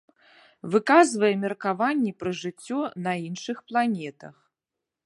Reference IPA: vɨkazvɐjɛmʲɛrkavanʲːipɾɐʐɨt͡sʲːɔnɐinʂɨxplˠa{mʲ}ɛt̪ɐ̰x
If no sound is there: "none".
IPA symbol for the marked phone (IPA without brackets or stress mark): nʲ